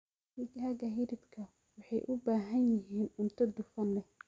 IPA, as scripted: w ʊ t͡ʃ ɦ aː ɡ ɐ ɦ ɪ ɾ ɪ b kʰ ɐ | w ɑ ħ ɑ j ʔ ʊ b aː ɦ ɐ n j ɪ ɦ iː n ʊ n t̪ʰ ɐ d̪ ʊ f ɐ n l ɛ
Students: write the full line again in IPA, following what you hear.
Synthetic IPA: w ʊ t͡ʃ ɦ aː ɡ ɐ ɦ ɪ ɾ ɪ b kʰ ɐ | w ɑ ħ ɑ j ʔ ʊ b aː ɦ ɐ n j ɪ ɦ iː n ʊ n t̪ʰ ɐ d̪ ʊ f ɐ n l ɛ